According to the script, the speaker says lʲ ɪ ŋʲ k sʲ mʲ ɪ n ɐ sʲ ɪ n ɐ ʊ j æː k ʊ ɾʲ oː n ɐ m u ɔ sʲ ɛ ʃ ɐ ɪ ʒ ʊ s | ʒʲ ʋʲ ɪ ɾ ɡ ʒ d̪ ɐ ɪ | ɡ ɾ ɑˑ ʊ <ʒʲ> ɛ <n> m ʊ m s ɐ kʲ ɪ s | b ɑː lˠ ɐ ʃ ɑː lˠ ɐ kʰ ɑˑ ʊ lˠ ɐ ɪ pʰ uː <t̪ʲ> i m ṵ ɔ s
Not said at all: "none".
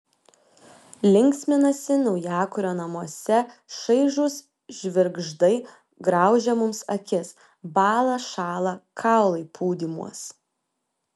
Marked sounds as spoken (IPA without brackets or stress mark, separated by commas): ʒʲ, none, d̪ʲ